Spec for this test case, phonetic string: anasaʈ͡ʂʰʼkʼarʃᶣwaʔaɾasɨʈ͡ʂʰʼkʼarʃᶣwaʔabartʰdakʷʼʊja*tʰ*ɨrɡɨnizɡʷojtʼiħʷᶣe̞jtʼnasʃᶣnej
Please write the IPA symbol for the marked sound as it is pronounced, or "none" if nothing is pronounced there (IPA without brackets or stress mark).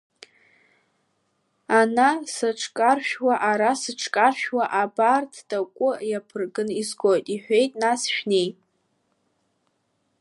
pʰ